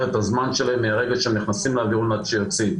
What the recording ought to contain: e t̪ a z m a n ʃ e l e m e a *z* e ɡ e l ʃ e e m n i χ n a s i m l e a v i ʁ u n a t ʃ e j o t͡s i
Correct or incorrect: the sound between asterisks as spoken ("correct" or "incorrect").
incorrect